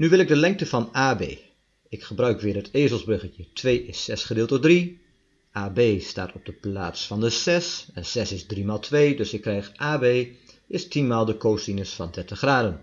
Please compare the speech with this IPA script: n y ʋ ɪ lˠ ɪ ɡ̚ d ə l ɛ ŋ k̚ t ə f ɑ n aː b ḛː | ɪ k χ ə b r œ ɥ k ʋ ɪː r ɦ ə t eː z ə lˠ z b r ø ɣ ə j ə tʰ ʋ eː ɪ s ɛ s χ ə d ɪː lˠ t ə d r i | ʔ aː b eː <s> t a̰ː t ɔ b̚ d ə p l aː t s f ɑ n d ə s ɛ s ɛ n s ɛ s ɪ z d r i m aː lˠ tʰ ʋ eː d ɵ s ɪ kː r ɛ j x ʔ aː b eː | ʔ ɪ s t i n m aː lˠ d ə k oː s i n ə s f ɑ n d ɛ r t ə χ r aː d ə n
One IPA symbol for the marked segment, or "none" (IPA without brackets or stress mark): s